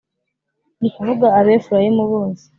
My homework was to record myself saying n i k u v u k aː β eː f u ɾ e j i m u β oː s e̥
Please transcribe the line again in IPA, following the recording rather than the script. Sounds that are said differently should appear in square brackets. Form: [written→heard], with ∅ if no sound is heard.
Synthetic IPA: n i k u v u [k→ɡ] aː β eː f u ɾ [e→a] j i m u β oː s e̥

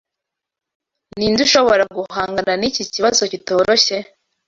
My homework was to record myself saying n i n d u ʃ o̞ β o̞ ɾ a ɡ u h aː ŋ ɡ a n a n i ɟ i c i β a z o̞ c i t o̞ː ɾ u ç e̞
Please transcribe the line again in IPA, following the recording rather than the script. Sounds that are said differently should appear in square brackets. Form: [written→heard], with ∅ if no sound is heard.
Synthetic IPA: n i n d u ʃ o̞ β o̞ ɾ a ɡ u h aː ŋ ɡ a n a n i [ɟ→c] i c i β a z o̞ c i t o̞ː ɾ [u→o] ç e̞

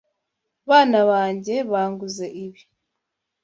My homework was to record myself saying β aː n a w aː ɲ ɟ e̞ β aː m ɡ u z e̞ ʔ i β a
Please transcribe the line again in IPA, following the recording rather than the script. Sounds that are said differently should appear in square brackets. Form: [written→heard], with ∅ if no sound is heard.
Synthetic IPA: β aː n a [w→β] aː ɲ ɟ e̞ β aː [m→ŋ] ɡ u z e̞ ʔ i β [a→i]

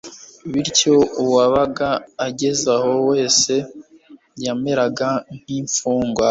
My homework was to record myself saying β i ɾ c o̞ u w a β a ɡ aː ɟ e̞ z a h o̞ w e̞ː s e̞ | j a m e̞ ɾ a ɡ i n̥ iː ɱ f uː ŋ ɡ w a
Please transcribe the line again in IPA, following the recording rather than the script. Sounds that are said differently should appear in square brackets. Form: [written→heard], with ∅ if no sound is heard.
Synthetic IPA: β i ɾ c o̞ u w a β a ɡ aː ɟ e̞ z a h o̞ w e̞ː s e̞ | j a m e̞ ɾ a ɡ [i→a] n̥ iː ɱ f uː ŋ ɡ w a

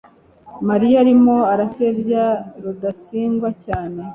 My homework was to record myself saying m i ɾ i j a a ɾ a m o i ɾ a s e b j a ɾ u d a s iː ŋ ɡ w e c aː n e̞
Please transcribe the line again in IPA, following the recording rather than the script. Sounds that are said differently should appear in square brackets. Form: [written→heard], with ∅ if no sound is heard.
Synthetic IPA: m [i→a] ɾ i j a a ɾ [a→i] m o [i→a] ɾ a s e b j a ɾ u d a s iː ŋ ɡ w [e→a] c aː n e̞

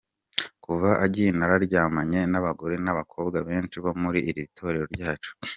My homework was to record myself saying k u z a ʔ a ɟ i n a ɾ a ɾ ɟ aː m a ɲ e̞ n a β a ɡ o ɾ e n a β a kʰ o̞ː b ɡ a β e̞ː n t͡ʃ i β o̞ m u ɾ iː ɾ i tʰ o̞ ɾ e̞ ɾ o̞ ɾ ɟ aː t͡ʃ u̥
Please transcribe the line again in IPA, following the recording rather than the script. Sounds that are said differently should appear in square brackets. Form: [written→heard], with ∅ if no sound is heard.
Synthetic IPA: k u [z→v] a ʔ a ɟ i n a ɾ a ɾ ɟ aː m a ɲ e̞ n a β a ɡ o ɾ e n a β a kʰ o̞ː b ɡ a β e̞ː n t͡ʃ i β o̞ m u ɾ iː ɾ i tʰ o̞ ɾ e̞ ɾ o̞ ɾ ɟ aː t͡ʃ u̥

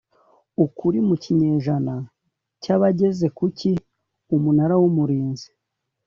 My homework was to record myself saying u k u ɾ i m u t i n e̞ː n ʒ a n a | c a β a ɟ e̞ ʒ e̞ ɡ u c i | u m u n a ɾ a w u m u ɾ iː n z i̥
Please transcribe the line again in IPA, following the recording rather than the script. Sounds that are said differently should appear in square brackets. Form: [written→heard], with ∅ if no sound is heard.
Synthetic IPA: u k u ɾ i m u [t→c] i [n→ɲ] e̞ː [n→∅] ʒ a n a | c a β a ɟ e̞ [ʒ→z] e̞ [ɡ→k] u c i | u m u n a ɾ a w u m u ɾ iː n z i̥

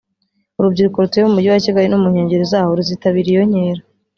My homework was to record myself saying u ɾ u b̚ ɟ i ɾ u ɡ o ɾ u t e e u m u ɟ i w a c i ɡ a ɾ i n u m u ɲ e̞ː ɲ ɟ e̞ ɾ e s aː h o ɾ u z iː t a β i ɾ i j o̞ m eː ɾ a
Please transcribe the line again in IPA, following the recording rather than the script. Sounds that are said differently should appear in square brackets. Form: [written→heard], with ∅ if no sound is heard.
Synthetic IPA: u ɾ u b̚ ɟ i ɾ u [ɡ→k] o ɾ u t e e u m u ɟ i w a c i ɡ a ɾ i n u m u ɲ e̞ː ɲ ɟ e̞ ɾ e [s→z] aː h o ɾ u z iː t a β i ɾ i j o̞ [m→ɲ] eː ɾ a

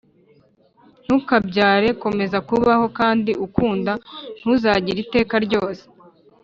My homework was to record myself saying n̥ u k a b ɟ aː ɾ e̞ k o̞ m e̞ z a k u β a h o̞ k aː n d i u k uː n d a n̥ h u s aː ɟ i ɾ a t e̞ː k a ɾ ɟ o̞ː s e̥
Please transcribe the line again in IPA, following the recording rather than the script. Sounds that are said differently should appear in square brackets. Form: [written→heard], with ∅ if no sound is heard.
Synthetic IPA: n̥ u k a b ɟ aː ɾ e̞ k o̞ m e̞ z a k u β a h o̞ k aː n d i u k uː n d a n̥ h u [s→z] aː ɟ i ɾ [a→i] t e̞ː k a ɾ ɟ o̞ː s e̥

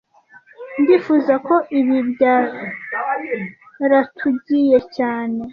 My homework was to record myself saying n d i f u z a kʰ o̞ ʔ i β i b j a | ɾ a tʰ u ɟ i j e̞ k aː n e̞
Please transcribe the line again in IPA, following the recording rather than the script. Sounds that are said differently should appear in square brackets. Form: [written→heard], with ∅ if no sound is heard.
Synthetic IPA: n d i f u z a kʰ o̞ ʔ i β i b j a | ɾ a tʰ u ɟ i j e̞ [k→c] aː n e̞

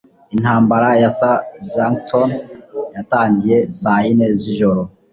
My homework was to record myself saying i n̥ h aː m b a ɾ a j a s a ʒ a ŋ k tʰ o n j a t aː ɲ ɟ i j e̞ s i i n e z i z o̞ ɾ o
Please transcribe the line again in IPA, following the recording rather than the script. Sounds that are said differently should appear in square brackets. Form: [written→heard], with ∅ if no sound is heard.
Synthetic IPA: i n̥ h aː m b a ɾ a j a s a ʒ a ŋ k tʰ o n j a t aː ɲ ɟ i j e̞ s [i→a] i n e z i [z→ʒ] o̞ ɾ o

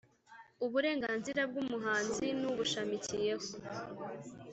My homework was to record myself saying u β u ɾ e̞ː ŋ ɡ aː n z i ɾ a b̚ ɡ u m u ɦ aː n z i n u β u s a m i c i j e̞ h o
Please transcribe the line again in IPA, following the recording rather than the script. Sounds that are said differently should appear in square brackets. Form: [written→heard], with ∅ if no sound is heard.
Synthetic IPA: u β u ɾ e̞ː ŋ ɡ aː n z i ɾ a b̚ ɡ u m u ɦ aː n z i n u β u [s→ʃ] a m i c i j e̞ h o

